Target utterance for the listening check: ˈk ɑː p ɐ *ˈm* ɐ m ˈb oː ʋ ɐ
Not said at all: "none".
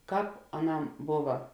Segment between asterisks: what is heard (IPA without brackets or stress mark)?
n